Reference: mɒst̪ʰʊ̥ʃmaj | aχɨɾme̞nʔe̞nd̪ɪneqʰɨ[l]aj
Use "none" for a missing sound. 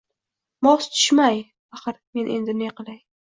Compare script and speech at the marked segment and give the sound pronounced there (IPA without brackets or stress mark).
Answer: l